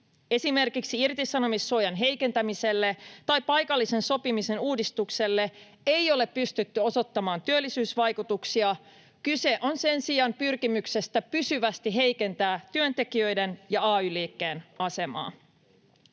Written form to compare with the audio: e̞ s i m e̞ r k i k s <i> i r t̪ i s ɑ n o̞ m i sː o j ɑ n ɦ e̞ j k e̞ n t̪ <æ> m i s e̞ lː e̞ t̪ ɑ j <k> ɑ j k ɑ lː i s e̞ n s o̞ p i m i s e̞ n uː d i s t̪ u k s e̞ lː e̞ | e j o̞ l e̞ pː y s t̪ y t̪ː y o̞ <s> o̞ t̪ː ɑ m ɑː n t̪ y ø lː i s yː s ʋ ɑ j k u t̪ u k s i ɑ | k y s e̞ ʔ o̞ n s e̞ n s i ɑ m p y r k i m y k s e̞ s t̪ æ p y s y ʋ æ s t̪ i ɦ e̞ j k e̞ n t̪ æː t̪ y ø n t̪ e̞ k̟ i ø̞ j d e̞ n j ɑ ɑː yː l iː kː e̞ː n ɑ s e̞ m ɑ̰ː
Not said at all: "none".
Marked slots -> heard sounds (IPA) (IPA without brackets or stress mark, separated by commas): i, æ, p, s